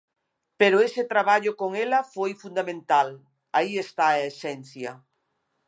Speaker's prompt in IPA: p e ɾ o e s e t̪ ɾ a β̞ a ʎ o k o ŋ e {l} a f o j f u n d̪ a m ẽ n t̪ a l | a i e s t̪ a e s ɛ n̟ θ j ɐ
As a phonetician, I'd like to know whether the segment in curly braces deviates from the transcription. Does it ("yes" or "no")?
no